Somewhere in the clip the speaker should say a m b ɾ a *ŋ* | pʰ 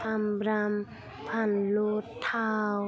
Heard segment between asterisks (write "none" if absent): m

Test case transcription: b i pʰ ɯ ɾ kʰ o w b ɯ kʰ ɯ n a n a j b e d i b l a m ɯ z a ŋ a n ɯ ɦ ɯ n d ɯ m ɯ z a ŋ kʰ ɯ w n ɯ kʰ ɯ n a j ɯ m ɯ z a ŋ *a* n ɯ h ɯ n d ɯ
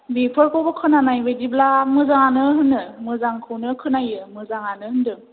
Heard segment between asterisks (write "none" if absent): a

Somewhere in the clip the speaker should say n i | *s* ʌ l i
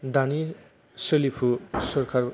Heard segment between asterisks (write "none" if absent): s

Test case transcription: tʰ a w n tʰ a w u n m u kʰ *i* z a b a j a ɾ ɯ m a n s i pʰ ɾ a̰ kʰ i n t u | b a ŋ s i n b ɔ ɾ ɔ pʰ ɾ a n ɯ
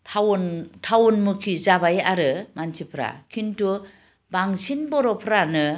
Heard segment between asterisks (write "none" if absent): i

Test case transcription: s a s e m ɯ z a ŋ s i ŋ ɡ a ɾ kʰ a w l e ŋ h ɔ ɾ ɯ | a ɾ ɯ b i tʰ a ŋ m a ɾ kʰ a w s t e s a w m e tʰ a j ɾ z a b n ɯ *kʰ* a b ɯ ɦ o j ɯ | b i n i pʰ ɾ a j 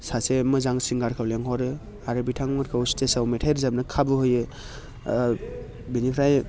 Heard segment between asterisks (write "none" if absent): kʰ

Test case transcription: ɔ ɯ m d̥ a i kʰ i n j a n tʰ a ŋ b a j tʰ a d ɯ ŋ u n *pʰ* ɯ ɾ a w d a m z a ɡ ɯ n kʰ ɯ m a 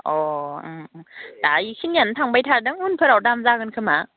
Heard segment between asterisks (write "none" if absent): pʰ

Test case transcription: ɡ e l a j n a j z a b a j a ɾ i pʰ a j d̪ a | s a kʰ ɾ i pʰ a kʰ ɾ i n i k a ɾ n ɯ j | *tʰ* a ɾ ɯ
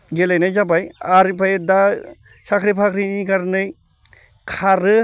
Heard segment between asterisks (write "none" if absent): kʰ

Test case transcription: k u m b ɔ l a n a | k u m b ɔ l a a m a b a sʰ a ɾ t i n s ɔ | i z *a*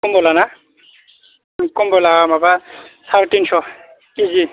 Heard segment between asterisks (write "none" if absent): i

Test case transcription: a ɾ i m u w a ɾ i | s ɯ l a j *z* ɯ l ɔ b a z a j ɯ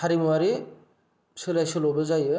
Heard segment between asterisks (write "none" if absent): s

